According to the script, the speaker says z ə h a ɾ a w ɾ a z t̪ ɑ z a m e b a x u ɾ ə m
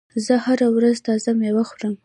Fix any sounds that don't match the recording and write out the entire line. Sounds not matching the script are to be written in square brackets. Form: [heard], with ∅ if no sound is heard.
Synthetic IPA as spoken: z ə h a ɾ a w ɾ a z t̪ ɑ z a m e [w] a x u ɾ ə m